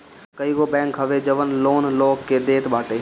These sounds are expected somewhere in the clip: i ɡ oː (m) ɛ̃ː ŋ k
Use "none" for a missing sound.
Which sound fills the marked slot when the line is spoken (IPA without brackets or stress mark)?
b